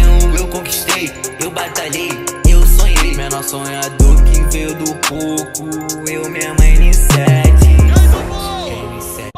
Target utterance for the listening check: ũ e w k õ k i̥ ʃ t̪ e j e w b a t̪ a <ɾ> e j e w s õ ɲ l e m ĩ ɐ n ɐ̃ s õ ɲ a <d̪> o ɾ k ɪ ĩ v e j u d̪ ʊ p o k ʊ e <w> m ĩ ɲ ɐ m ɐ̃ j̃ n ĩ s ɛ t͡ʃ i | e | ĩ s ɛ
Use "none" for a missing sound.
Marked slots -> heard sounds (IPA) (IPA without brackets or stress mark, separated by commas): ʎ, d̪, w